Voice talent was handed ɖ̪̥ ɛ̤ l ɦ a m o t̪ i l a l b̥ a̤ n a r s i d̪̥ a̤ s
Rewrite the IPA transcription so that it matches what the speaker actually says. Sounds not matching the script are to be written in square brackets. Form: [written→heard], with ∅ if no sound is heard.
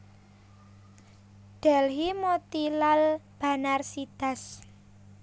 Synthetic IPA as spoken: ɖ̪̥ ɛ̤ l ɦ [a→i] m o t̪ i l a l b̥ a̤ n a r s i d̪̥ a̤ s